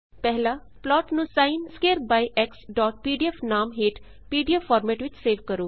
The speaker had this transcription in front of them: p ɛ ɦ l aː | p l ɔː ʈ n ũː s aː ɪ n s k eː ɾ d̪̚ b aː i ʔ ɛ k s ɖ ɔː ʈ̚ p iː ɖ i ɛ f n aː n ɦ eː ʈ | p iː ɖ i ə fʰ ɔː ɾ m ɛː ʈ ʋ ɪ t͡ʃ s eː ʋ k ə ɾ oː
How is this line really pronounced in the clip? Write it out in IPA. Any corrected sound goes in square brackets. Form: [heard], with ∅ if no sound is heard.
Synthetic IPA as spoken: p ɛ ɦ l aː | p l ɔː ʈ n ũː s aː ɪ n s k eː ɾ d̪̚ b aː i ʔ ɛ k s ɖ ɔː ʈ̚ p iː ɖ i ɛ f n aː [m] ɦ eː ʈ | p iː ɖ i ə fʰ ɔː ɾ m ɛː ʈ ʋ ɪ t͡ʃ s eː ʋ k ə ɾ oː